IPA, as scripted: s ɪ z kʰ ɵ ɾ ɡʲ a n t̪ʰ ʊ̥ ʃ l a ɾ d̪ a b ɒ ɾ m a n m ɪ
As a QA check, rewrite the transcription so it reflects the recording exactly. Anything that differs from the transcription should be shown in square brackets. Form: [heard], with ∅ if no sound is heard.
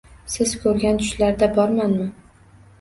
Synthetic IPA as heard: s ɪ z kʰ ɵ ɾ ɡʲ a n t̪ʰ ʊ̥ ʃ l a ɾ d̪ a b ɒ ɾ m a n m ɪ